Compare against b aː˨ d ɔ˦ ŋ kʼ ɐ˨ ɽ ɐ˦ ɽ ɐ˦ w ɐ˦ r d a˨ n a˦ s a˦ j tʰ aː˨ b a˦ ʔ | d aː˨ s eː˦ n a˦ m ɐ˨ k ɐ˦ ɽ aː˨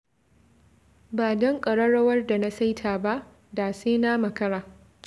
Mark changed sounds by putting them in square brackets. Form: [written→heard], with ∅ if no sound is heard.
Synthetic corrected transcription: b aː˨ d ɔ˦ ŋ kʼ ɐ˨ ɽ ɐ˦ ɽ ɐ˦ w ɐ˦ r d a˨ n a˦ s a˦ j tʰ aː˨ b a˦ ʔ | d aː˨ s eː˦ n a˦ m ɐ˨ k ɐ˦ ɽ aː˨